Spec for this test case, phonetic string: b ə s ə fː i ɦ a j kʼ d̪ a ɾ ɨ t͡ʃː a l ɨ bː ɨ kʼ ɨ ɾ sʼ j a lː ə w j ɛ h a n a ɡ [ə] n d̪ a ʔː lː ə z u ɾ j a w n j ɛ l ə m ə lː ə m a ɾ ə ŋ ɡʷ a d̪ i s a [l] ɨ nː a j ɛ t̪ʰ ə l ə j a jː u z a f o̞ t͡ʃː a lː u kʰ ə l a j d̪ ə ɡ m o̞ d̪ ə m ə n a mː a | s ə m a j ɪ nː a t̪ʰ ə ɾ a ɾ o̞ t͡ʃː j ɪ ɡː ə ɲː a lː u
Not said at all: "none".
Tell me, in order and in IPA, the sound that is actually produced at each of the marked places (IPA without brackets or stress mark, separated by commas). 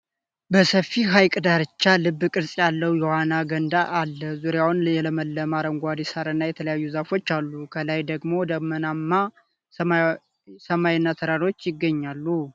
ə, ɾ